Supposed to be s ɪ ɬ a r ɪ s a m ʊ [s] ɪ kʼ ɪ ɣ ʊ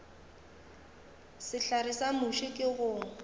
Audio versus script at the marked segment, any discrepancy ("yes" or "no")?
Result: yes